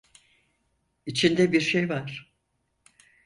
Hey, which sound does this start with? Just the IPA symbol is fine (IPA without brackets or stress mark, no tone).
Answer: i